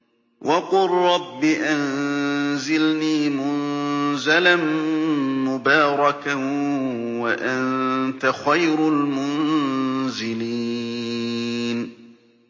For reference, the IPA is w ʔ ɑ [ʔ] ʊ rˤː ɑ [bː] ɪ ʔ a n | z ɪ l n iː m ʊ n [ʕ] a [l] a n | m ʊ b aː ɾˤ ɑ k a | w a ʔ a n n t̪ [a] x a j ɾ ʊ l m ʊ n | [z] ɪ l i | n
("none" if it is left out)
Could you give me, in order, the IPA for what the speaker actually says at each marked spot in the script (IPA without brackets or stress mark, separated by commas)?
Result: q, bː, z, l, a, z